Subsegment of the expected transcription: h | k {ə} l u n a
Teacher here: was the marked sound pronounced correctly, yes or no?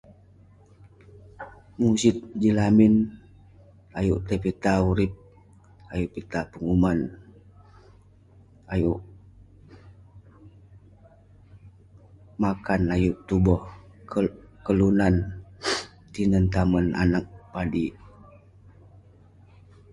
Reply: yes